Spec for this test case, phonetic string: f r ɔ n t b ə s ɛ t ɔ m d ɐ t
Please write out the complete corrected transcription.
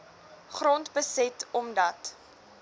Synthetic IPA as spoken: χ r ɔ n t b ə s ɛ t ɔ m d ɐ t